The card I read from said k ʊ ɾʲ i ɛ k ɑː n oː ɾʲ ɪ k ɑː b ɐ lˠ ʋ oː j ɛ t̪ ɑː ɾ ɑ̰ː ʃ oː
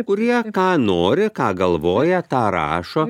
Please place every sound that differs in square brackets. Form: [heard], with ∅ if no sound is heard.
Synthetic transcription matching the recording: k ʊ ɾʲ i ɛ k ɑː n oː ɾʲ ɪ k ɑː [ɡ] ɐ lˠ ʋ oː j ɛ t̪ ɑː ɾ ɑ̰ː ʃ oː